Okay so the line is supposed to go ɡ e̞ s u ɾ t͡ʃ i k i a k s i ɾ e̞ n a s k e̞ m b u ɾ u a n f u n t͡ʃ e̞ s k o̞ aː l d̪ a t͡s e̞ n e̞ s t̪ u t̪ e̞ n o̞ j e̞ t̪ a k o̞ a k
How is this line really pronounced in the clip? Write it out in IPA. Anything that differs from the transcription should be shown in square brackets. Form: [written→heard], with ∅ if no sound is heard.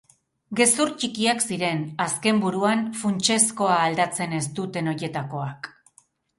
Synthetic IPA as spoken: ɡ e̞ s u ɾ t͡ʃ i k i a k s i ɾ e̞ n a s k e̞ m b u ɾ u a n f u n t͡ʃ e̞ s k o̞ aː l d̪ a t͡s e̞ n e̞ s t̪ u t̪ e̞ n o̞ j e̞ t̪ a k o̞ a k